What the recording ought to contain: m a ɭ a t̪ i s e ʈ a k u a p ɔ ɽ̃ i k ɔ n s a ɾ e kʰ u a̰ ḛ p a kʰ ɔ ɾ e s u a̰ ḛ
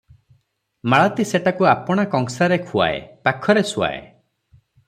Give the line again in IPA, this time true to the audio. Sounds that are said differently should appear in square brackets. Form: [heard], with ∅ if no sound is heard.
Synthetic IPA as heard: m a ɭ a t̪ i s e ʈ a k u a p ɔ ɽ̃ [a] k ɔ [ŋ] s a ɾ e kʰ u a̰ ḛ p a kʰ ɔ ɾ e s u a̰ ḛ